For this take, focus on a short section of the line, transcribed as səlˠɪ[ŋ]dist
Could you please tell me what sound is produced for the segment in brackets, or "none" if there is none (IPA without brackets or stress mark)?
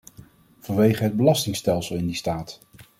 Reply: n